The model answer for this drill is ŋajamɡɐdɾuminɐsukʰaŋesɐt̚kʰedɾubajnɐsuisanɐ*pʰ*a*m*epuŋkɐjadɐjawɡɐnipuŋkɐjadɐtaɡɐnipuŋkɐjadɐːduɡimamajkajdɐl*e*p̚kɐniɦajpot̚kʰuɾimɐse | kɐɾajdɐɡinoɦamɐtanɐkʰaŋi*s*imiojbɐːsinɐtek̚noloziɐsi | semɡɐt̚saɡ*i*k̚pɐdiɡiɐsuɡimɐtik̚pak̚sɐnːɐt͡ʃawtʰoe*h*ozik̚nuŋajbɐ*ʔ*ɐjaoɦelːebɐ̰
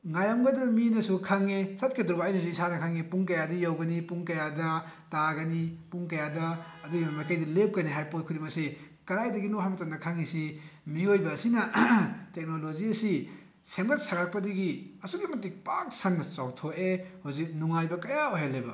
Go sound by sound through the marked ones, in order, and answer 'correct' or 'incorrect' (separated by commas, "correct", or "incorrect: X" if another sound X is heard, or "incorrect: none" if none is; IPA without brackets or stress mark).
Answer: incorrect: kʰ, incorrect: ŋ, correct, correct, incorrect: a, correct, incorrect: k